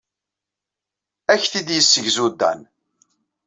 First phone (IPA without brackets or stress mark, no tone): æ